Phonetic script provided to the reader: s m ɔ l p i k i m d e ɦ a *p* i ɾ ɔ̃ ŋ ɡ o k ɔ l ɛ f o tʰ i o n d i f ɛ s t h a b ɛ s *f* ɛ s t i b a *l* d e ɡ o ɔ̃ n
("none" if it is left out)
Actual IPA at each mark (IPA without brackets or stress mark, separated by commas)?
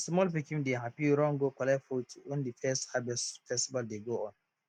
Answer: p, f, l